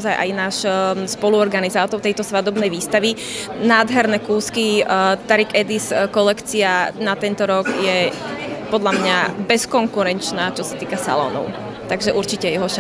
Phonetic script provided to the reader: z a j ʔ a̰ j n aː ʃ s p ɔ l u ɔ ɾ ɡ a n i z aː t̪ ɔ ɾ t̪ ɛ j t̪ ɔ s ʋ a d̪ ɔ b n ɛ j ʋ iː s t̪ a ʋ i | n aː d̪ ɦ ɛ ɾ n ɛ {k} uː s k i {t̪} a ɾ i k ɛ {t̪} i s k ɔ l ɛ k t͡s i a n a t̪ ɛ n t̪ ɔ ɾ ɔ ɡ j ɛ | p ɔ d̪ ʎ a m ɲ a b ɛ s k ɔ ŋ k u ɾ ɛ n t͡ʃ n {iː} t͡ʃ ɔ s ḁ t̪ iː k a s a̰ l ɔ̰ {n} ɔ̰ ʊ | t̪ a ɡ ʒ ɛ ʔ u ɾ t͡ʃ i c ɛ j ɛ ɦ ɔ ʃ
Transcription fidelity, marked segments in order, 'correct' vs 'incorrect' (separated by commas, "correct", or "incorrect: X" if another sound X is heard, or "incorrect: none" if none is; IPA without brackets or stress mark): correct, correct, incorrect: d̪, incorrect: aː, correct